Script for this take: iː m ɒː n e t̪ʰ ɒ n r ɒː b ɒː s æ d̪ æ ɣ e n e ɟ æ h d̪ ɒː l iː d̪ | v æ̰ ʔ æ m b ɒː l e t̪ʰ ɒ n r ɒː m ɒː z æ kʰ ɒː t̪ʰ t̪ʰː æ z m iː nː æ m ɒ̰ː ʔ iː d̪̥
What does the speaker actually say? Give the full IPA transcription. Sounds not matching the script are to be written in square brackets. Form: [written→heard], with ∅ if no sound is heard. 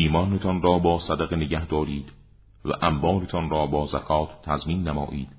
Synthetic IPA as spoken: iː m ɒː n e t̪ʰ ɒ n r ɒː b ɒː s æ d̪ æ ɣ e n e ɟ æ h d̪ ɒː [l→ɾ] iː d̪ | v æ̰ ʔ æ m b ɒː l e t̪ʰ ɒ n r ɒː [m→b] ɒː z æ kʰ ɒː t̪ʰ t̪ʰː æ z m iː nː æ m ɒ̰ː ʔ iː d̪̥